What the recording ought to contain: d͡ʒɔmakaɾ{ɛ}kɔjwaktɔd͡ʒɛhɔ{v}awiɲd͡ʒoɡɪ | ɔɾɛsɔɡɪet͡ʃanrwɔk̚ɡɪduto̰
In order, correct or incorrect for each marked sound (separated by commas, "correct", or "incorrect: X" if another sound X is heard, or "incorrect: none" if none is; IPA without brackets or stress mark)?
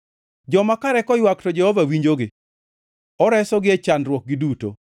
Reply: correct, correct